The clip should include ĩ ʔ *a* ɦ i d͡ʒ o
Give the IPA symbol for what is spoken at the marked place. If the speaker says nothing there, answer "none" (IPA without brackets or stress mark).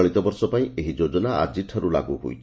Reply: e